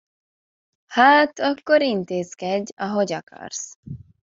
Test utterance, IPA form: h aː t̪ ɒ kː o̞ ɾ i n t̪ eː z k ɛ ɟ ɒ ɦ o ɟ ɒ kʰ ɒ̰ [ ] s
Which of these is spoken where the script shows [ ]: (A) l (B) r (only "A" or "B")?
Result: B